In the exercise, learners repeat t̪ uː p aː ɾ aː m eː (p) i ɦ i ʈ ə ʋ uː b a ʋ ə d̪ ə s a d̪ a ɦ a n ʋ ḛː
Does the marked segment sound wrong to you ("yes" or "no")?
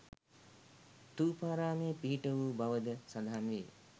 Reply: no